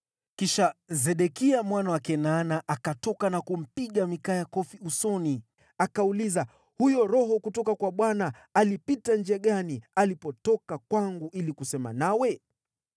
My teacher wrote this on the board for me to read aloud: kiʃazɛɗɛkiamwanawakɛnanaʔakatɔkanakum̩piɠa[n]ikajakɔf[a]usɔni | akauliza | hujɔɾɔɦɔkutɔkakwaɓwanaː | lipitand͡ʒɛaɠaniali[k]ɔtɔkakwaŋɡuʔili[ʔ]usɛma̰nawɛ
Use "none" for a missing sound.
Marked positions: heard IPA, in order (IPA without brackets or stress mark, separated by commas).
m, i, p, k